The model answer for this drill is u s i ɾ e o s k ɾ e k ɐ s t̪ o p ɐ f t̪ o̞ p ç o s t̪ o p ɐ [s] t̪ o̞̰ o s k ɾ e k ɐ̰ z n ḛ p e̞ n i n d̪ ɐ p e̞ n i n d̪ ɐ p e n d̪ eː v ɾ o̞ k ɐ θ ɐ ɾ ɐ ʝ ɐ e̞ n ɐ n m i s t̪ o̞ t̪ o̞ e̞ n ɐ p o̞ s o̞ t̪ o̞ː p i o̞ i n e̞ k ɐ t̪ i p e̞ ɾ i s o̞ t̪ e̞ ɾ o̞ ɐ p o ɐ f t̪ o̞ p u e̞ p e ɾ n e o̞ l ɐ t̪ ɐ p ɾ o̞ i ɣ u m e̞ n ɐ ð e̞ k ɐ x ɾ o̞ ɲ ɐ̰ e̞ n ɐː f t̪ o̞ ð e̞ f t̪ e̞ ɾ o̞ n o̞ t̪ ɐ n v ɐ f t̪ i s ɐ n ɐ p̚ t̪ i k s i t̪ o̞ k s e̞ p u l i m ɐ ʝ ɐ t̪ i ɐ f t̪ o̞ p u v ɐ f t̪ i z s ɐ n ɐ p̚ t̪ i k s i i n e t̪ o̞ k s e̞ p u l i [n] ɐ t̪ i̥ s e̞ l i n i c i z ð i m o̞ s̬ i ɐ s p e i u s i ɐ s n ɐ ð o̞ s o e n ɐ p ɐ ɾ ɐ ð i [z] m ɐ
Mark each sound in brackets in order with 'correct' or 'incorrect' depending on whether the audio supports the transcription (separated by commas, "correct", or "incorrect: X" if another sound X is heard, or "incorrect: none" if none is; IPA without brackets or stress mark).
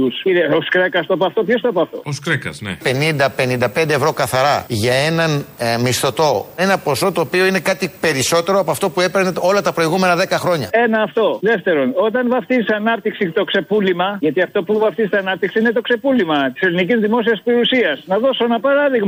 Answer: incorrect: f, incorrect: m, incorrect: ɣ